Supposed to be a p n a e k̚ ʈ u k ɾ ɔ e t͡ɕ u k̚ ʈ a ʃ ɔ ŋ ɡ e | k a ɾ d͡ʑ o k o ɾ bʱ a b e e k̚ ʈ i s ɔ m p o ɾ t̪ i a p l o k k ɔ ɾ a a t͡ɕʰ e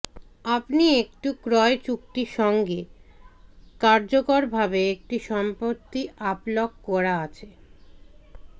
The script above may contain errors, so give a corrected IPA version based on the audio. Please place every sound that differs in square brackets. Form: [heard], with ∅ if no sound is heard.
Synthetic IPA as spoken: a p n [i] e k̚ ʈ u k ɾ ɔ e t͡ɕ u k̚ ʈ [i] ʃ ɔ ŋ ɡ e | k a ɾ d͡ʑ o k o ɾ bʱ a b e e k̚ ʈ i [ʃ] ɔ m p o ɾ t̪ i a p l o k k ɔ ɾ a a t͡ɕʰ e